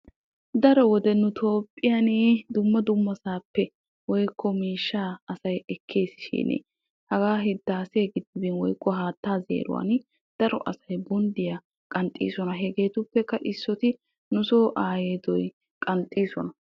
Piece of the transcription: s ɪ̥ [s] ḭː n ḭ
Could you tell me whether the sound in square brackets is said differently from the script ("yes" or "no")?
yes